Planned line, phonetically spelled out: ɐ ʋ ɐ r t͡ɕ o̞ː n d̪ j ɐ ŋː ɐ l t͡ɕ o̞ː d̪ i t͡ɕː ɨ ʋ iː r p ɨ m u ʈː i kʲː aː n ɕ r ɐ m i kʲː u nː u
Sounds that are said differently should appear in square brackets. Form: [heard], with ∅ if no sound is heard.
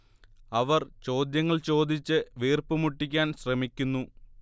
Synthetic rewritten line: ɐ ʋ ɐ r t͡ɕ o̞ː [∅] d̪ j ɐ ŋː ɐ [ɭ] t͡ɕ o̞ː d̪ i t͡ɕː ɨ ʋ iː r p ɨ m u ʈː i kʲː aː n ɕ r ɐ m i kʲː u nː u